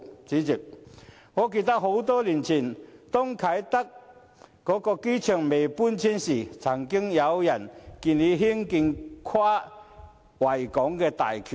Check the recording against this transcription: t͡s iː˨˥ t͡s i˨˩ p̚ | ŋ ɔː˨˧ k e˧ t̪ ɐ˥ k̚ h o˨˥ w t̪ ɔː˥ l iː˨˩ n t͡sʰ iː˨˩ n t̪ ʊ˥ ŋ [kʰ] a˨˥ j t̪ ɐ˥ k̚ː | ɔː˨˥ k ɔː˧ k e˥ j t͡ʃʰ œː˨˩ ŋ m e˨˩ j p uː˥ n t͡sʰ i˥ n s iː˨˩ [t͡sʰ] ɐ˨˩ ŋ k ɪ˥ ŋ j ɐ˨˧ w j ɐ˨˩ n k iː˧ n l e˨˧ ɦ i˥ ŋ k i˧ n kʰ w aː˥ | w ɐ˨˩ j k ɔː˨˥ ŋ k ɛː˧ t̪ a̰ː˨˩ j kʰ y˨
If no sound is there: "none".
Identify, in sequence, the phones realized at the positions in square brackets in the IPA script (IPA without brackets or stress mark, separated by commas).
kʰ, t͡sʰ